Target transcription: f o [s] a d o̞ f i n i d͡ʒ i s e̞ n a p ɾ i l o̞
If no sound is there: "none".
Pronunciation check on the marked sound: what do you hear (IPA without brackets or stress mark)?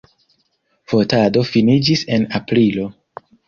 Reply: t